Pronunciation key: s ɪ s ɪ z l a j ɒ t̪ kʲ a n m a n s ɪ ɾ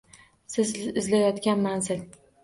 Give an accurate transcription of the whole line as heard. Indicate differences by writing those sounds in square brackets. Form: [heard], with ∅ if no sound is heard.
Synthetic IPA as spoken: s ɪ [z] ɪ z l a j ɒ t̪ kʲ a n m a n [z] ɪ [l]